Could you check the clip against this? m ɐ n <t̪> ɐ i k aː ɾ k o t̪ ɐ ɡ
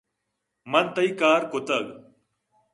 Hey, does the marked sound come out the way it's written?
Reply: yes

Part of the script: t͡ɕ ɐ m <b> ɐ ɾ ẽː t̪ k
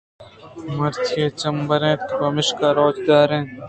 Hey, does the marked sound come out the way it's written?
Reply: yes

